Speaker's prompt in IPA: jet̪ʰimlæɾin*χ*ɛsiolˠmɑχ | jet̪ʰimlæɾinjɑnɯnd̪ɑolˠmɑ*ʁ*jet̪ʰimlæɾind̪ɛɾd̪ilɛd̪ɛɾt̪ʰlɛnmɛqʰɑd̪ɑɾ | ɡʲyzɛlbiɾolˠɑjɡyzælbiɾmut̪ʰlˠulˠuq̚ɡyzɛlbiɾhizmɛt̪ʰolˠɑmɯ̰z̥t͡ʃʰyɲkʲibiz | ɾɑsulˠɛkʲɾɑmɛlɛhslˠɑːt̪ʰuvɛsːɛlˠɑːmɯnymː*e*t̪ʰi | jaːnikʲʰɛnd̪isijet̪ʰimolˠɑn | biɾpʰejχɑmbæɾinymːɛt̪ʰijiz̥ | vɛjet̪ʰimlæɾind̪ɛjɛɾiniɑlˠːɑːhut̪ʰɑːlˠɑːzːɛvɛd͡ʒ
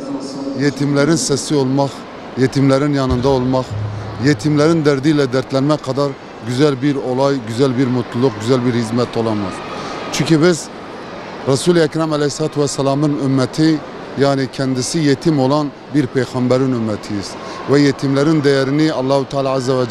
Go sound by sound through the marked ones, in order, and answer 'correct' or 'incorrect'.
incorrect: s, incorrect: χ, incorrect: ɛ

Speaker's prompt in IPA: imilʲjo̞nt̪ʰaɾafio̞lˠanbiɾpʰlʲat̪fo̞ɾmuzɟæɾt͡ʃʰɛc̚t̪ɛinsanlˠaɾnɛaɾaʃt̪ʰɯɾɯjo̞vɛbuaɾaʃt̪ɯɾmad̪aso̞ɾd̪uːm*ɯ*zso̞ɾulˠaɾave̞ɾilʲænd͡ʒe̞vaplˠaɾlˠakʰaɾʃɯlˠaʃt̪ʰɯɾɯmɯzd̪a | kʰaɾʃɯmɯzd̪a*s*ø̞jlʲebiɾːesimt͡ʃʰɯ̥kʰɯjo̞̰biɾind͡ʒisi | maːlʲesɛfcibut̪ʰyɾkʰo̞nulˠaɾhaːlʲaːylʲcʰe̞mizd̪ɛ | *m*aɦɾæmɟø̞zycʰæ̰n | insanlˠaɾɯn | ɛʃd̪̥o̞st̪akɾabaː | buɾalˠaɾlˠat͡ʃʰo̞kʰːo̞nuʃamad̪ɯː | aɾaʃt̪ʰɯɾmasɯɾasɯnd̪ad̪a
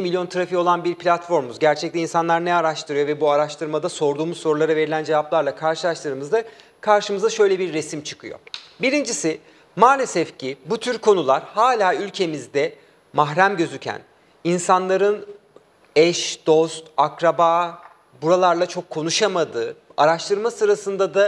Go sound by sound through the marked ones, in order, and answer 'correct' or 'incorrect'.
incorrect: u, incorrect: ʃ, correct

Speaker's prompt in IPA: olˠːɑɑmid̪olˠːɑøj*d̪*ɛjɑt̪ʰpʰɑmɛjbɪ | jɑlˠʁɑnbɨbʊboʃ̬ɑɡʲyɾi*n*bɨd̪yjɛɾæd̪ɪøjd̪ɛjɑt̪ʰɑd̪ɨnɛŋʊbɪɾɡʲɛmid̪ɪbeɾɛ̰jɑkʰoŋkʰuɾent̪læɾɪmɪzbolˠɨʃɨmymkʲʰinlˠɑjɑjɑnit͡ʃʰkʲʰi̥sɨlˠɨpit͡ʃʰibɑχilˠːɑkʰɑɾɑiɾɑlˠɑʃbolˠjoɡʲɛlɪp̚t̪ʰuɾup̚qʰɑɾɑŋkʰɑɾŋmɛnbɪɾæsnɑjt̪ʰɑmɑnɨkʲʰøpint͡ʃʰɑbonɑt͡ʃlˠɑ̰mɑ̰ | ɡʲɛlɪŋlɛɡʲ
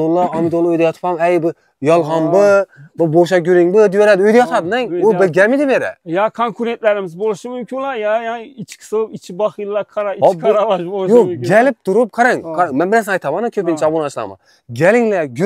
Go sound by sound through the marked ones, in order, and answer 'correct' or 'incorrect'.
correct, incorrect: ŋ

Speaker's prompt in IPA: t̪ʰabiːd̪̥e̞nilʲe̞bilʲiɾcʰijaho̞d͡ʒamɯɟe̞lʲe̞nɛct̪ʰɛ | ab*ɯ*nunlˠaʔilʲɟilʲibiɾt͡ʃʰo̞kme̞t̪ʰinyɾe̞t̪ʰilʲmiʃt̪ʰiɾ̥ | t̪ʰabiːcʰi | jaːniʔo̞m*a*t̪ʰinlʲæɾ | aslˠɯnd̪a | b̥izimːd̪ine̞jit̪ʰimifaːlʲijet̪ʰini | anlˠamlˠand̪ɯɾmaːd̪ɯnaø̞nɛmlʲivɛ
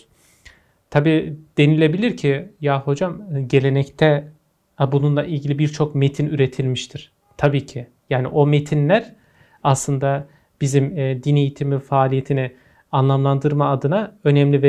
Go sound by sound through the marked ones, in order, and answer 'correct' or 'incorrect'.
incorrect: u, incorrect: e

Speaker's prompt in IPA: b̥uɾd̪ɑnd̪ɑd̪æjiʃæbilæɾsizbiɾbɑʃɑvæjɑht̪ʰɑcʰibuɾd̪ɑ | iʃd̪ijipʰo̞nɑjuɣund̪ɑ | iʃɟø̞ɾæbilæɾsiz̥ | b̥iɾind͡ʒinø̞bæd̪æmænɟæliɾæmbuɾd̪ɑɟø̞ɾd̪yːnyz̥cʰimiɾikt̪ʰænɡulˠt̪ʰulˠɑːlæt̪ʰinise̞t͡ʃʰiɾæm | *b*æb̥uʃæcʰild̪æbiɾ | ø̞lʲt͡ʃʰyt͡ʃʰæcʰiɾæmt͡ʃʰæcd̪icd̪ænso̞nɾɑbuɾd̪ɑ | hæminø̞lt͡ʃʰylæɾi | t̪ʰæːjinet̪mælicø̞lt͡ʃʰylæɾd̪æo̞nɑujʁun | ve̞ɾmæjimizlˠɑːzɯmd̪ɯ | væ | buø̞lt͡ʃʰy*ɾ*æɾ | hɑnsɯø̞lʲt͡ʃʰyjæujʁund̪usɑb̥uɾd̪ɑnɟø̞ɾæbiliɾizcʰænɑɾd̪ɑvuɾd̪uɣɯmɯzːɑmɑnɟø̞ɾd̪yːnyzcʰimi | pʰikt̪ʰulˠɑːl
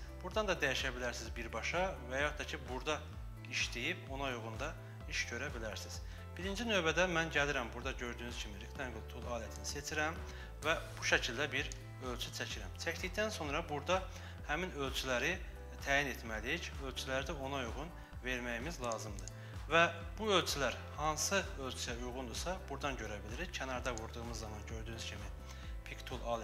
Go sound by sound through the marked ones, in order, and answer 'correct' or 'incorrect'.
incorrect: v, incorrect: l

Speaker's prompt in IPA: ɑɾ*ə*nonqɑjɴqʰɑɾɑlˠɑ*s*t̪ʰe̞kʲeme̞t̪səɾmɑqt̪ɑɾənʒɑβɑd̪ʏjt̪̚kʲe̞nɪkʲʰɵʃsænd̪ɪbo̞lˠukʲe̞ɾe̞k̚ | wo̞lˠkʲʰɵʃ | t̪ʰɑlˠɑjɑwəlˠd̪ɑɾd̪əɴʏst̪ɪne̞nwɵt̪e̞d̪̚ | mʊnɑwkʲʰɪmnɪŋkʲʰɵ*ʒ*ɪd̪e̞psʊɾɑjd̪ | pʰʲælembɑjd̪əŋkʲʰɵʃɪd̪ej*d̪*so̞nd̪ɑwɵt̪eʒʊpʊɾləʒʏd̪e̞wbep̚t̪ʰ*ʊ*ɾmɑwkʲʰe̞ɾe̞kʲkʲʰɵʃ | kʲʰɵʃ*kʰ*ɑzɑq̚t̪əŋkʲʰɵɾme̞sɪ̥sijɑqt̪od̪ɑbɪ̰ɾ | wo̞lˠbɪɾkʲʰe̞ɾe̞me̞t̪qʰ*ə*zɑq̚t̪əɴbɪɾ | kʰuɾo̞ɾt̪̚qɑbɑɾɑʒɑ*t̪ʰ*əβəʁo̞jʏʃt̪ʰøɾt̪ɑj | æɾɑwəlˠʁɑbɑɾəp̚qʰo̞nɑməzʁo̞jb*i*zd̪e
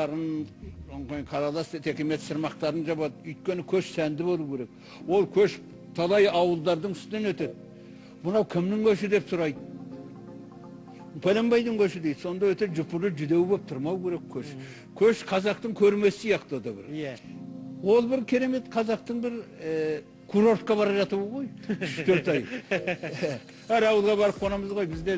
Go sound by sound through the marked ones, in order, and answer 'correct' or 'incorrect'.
correct, correct, incorrect: ʃ, correct, correct, incorrect: qʰ, incorrect: ɑ, incorrect: t̪, incorrect: ɪ

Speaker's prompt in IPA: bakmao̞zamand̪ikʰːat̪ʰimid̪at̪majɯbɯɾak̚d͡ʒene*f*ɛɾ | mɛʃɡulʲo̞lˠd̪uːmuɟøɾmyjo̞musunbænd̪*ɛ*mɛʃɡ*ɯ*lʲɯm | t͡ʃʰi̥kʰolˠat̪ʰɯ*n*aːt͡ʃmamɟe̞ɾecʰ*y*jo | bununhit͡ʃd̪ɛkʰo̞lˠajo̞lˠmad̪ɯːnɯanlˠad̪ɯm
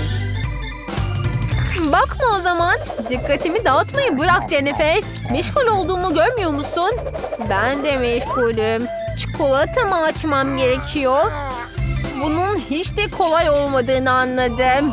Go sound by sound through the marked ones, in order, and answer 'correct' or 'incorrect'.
correct, correct, incorrect: u, incorrect: m, incorrect: i

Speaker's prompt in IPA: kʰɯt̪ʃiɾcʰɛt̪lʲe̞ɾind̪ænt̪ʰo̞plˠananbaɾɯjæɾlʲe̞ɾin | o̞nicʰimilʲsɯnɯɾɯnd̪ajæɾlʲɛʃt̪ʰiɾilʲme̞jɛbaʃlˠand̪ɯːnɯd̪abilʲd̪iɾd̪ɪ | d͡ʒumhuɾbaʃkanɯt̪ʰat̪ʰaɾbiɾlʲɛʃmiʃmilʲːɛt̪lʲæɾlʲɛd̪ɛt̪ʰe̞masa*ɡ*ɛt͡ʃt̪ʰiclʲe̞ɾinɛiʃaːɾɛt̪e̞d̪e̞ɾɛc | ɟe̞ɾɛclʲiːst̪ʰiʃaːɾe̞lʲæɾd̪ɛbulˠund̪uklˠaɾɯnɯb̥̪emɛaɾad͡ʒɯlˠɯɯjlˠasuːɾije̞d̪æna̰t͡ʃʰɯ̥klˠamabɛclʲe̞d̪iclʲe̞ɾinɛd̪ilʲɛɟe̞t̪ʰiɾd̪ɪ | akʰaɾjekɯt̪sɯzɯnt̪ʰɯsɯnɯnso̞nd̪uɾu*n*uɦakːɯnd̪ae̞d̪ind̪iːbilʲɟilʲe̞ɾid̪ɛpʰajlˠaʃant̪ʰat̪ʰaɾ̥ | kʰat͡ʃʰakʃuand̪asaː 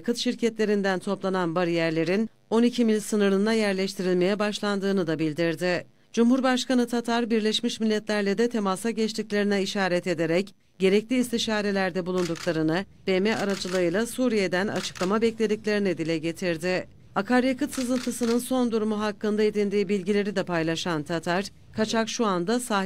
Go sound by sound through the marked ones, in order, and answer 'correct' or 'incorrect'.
incorrect: ɟ, incorrect: m

